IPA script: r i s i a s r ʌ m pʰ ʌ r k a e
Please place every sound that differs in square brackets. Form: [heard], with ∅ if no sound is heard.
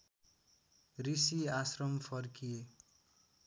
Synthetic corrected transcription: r i s i a s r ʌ m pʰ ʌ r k [i] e